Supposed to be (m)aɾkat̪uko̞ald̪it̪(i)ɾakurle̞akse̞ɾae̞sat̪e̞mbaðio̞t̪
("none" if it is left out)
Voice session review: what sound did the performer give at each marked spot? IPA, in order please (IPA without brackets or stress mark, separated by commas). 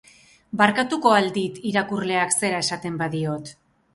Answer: b, i